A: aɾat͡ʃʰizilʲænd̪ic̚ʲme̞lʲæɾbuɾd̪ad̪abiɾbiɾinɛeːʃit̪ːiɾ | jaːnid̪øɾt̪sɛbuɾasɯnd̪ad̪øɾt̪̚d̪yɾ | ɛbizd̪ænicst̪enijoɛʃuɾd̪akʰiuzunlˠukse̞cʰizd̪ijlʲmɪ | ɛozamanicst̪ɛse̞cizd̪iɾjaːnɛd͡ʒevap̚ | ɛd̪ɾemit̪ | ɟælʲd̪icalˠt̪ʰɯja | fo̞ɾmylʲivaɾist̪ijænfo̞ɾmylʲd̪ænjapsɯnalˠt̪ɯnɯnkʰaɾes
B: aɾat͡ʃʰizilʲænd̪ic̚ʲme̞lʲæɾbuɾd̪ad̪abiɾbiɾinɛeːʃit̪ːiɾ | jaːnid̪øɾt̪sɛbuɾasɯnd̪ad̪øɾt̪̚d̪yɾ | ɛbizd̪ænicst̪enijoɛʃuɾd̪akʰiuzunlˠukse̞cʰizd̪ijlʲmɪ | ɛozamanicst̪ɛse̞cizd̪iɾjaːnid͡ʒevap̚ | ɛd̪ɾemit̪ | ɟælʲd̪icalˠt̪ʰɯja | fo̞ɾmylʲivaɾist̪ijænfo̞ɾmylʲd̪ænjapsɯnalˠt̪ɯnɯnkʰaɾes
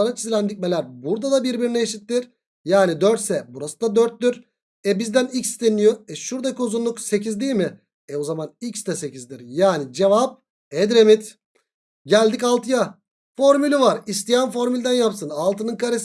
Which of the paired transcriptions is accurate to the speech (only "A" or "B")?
B